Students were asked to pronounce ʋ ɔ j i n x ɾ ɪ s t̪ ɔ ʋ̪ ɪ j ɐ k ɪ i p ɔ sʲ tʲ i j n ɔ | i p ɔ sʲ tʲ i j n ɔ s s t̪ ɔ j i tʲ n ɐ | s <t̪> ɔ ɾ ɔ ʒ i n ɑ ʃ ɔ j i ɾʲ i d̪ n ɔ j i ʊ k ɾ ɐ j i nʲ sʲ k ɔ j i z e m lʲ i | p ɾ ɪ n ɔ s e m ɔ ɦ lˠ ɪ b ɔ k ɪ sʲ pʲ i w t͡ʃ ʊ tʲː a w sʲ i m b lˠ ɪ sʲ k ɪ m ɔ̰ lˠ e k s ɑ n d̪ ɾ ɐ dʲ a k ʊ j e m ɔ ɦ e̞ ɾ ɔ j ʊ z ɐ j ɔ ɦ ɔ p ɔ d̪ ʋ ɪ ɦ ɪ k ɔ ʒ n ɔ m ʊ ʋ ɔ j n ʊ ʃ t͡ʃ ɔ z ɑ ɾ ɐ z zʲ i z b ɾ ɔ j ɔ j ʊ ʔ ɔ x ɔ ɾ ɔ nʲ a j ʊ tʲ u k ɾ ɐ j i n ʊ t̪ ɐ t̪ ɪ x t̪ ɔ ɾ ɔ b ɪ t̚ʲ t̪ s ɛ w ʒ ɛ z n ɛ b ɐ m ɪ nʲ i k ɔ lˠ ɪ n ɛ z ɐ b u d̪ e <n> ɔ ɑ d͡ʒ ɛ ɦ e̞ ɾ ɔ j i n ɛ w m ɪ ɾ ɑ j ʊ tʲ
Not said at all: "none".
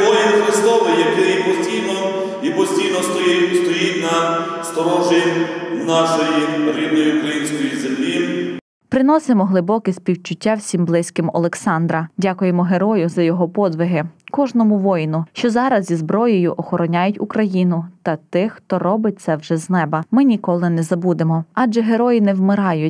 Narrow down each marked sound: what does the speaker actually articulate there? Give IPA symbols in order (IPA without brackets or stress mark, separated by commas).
t̪, m